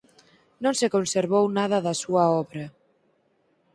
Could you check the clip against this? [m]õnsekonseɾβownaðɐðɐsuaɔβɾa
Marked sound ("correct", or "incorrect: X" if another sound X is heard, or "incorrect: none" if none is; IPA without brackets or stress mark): incorrect: n